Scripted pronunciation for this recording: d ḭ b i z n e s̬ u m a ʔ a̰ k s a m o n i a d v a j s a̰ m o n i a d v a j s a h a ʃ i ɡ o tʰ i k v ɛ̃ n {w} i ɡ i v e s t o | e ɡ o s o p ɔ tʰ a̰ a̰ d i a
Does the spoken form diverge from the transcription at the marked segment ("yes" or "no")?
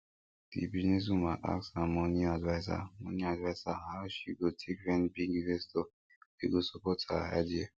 yes